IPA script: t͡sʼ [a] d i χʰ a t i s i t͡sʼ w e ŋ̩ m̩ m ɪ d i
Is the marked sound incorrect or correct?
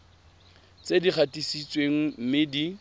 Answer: incorrect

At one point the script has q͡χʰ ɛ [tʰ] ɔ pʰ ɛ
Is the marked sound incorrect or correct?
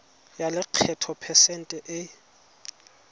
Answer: correct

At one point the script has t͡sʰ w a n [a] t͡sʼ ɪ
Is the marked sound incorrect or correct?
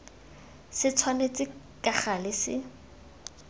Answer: incorrect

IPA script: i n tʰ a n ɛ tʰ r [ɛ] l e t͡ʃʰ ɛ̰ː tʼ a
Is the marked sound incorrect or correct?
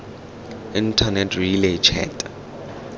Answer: incorrect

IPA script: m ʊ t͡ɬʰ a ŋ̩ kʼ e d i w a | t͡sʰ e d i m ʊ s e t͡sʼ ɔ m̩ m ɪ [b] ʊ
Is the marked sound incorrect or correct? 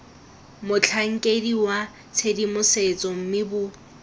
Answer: correct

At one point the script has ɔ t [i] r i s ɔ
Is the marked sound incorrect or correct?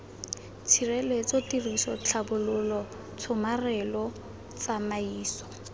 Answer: correct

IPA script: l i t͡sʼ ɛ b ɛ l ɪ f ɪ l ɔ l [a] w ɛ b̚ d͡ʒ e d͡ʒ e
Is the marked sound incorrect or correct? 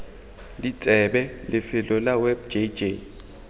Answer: correct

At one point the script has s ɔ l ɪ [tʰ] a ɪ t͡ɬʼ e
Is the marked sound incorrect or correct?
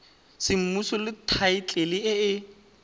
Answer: correct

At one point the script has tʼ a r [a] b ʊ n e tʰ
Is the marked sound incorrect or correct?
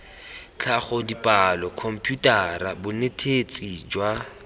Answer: correct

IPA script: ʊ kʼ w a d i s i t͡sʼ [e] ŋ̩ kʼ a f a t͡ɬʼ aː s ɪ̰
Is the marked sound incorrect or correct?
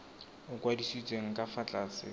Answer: correct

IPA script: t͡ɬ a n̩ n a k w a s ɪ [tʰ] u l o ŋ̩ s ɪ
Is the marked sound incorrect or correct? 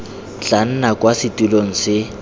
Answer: incorrect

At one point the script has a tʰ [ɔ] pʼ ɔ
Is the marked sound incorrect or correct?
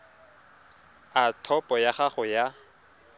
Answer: correct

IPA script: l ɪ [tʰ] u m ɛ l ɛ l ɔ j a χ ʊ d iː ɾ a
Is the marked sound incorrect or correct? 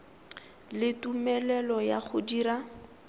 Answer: incorrect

